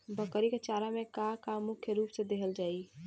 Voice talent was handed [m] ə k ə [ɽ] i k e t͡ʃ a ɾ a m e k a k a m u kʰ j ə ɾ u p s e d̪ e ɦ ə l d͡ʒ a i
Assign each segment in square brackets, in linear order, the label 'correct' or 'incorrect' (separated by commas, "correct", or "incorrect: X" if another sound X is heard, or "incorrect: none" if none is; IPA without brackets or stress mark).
incorrect: b, incorrect: ɾ